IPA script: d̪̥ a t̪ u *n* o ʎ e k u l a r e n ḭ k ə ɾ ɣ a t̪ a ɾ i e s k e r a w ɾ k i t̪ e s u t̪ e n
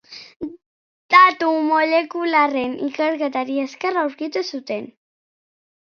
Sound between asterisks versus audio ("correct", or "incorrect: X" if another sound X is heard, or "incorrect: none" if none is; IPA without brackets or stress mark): incorrect: m